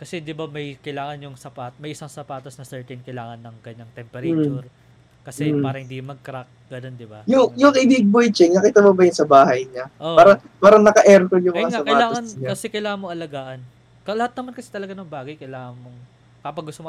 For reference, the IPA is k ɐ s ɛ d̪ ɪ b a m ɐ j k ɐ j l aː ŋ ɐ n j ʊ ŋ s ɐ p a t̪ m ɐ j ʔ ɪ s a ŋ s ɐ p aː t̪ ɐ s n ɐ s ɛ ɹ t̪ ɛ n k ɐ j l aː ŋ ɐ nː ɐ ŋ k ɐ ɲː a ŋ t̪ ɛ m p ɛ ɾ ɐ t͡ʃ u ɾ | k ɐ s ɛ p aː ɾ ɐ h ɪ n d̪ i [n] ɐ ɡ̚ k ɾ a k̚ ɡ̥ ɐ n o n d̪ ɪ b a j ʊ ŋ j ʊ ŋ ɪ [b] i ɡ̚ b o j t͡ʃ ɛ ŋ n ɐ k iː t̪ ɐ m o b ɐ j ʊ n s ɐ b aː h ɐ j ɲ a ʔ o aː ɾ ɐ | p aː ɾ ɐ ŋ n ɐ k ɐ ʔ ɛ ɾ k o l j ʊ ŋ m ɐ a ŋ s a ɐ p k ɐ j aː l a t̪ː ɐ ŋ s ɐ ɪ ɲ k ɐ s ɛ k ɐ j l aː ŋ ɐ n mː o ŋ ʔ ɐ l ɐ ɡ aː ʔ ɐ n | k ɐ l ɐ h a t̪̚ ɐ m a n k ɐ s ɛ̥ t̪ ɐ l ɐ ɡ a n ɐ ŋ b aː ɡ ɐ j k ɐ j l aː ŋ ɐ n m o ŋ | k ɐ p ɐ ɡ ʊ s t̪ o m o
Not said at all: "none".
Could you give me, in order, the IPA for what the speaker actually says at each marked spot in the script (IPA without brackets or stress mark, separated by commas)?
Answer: m, b